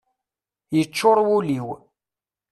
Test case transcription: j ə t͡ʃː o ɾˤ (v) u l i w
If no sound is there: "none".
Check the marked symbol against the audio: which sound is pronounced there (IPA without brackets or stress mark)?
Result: w